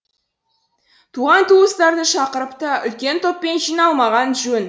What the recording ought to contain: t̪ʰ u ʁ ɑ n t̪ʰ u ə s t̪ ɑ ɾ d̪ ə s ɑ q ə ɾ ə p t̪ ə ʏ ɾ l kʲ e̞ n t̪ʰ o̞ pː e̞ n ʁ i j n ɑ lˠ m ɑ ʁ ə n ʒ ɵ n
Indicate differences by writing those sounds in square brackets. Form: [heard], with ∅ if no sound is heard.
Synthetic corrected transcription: t̪ʰ u ʁ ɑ n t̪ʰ u ə s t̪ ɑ ɾ d̪ ə [ʃ] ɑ q ə ɾ ə p t̪ ə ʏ [∅] l kʲ e̞ n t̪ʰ o̞ pː e̞ n [ʒ] i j n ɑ lˠ m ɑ ʁ [ɑ] n ʒ ɵ n